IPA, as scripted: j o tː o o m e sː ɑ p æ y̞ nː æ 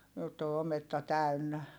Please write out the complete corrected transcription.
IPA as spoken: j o tː o o m e tː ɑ t æ y̞ nː æ